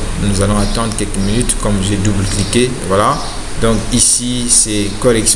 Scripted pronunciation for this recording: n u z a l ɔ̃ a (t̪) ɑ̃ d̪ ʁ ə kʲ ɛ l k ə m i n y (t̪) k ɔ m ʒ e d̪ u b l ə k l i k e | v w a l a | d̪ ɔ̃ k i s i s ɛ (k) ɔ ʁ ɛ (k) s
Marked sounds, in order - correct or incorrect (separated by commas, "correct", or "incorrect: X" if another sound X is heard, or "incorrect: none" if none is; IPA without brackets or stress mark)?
correct, correct, correct, correct